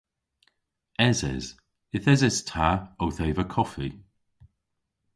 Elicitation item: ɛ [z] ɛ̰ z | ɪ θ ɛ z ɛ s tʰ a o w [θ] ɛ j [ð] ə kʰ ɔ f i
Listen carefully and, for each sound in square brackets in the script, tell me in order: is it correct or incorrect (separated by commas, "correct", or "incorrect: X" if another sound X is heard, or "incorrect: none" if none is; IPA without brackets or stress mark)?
correct, correct, incorrect: v